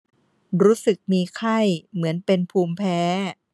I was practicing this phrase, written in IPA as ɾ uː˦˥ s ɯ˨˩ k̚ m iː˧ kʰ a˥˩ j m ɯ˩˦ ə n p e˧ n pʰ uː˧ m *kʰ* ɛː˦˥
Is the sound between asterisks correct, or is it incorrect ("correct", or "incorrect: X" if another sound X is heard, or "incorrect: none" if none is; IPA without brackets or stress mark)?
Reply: incorrect: pʰ